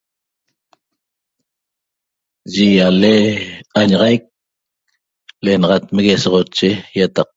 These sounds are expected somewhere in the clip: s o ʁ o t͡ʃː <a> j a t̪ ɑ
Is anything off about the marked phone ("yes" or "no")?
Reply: yes